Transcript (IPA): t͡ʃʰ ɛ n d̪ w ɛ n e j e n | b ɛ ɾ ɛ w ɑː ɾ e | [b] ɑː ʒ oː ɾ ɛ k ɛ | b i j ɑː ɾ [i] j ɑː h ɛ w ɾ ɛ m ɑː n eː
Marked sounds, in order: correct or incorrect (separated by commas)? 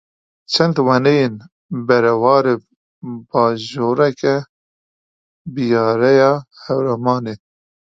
correct, incorrect